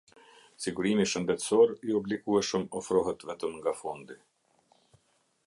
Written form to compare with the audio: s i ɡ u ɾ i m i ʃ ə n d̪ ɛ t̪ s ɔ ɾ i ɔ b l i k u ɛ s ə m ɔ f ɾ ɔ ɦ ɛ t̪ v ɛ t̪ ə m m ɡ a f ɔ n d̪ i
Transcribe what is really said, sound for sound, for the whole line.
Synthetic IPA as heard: s i ɡ u ɾ i m i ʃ ə n d̪ ɛ t̪ s ɔ ɾ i ɔ b l i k u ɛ ʃ ə m ɔ f ɾ ɔ ɦ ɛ t̪ v ɛ t̪ ə m ŋ ɡ a f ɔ n d̪ i